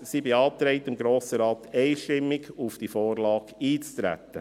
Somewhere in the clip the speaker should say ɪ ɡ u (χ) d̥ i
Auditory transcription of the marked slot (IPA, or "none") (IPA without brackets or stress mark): f